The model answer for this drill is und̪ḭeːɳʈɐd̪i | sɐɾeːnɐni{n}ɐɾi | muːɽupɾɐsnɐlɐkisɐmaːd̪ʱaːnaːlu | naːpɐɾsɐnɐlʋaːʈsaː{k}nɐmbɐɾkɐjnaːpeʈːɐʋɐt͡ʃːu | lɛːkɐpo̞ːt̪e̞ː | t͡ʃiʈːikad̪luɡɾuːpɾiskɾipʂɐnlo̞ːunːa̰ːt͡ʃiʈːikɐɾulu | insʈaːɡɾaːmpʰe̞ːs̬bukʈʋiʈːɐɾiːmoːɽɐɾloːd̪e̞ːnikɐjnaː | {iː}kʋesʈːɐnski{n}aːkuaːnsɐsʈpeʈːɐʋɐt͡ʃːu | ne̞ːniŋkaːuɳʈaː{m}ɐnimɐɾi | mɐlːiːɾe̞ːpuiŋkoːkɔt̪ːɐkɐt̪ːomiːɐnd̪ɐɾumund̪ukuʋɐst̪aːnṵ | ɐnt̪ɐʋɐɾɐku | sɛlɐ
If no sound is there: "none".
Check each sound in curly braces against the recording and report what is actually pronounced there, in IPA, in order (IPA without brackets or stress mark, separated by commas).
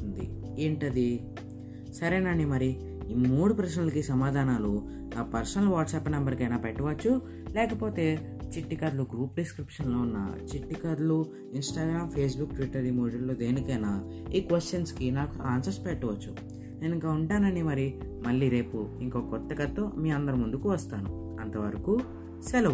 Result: m, p, iː, n, n